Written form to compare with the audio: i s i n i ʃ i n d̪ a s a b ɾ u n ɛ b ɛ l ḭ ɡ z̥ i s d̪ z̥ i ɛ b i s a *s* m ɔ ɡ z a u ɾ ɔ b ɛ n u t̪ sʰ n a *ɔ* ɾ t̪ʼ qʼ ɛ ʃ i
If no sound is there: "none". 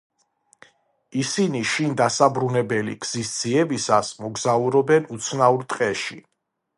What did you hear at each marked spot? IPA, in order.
s, u

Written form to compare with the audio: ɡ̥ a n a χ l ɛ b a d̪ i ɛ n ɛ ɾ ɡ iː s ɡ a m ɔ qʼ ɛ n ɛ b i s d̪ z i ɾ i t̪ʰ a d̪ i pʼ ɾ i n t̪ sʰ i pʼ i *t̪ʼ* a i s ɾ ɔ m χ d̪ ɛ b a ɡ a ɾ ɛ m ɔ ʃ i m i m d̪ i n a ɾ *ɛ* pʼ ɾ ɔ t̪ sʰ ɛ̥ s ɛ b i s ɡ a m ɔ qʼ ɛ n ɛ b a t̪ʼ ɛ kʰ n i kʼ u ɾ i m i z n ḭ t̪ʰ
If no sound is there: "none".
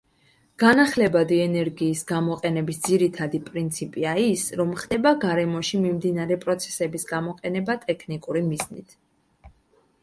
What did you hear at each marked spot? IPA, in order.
none, ɛ

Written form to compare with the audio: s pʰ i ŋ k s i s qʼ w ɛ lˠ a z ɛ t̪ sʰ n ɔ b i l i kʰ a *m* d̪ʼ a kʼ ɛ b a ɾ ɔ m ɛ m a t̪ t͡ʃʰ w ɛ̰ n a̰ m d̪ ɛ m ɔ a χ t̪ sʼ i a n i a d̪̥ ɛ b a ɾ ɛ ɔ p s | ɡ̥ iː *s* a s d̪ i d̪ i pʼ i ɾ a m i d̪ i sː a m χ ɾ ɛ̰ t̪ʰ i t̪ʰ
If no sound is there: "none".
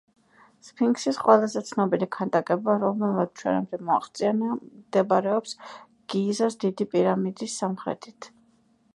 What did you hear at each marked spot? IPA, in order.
n, z

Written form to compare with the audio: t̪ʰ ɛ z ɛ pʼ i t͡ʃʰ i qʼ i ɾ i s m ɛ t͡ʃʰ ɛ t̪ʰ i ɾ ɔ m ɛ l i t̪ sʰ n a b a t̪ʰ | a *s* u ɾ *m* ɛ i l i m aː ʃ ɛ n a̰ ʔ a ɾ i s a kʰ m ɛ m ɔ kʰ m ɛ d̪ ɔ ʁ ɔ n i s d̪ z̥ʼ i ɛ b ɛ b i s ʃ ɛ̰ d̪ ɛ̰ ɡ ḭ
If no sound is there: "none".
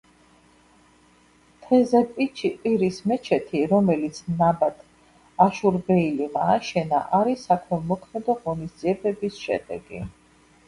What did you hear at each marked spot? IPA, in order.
ʃ, b

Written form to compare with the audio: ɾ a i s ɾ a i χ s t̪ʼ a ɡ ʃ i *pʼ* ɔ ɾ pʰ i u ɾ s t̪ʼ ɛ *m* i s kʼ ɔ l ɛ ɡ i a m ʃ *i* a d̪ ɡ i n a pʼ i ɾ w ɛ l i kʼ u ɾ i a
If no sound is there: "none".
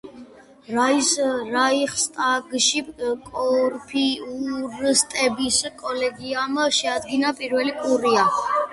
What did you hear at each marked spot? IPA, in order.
kʼ, b, ɛ

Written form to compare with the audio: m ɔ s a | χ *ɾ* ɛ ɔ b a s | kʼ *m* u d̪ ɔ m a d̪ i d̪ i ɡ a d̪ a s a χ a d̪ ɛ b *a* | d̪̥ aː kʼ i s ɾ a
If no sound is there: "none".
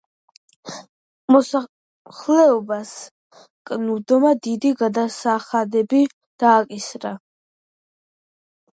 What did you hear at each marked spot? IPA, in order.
l, n, i

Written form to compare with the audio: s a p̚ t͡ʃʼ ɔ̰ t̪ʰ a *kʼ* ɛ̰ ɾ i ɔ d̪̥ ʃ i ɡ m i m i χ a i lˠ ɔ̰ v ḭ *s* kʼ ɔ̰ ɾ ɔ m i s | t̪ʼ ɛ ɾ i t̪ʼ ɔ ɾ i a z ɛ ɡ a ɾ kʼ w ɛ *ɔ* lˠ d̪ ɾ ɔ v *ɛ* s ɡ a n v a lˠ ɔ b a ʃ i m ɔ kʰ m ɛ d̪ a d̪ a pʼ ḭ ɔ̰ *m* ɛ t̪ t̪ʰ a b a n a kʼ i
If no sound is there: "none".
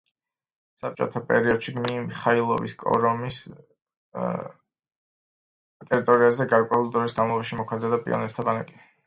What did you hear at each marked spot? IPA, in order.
pʼ, s, u, i, n

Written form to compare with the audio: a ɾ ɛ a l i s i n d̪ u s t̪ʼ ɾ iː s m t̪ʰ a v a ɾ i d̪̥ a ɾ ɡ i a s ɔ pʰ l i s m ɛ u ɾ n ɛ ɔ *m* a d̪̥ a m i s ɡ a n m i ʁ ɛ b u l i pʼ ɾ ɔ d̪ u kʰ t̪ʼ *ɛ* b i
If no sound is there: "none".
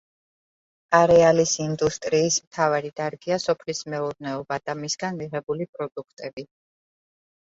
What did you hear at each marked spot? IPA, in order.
b, ɛ

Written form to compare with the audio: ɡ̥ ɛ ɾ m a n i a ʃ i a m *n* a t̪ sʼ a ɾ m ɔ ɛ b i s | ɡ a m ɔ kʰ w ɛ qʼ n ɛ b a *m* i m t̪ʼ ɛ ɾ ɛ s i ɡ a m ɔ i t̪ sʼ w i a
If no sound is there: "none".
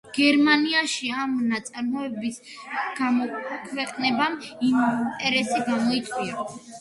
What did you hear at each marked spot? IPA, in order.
n, m

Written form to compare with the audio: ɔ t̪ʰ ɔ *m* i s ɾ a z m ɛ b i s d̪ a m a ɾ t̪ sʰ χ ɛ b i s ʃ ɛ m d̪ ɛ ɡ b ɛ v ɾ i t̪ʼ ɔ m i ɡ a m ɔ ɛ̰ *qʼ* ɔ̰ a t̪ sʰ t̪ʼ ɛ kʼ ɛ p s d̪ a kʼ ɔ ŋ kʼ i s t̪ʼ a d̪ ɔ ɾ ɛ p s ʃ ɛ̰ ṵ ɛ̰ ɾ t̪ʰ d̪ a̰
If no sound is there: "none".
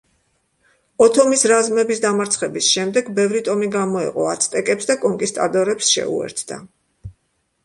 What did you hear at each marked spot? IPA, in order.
m, qʼ

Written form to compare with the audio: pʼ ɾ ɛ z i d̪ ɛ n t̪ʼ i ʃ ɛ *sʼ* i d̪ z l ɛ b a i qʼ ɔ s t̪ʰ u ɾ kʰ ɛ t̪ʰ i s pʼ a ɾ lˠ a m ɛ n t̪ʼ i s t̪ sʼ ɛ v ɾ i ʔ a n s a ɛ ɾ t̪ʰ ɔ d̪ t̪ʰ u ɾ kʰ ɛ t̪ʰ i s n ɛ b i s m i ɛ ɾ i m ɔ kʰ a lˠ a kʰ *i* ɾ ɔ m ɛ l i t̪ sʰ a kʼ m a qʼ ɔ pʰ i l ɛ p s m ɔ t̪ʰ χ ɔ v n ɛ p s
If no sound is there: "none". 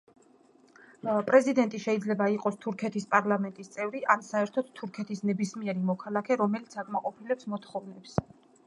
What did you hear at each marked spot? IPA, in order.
none, ɛ

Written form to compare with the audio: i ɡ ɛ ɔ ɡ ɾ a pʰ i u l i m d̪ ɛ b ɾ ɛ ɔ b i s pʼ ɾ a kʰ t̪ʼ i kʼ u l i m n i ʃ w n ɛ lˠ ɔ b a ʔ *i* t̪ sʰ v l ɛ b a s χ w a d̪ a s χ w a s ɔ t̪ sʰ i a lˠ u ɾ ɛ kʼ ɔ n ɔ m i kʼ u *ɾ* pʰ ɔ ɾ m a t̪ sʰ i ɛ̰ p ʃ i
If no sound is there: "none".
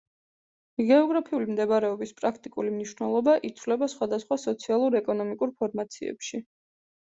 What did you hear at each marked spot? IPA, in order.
i, ɾ

